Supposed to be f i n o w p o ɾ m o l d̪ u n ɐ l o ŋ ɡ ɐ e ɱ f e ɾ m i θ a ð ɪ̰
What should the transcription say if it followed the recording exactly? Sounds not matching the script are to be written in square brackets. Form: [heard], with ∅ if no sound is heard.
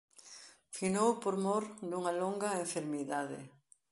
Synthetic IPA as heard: f i n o w p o ɾ m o [ɾ] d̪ u [ŋ] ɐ l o ŋ ɡ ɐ e ɱ f e ɾ m i [ð] a ð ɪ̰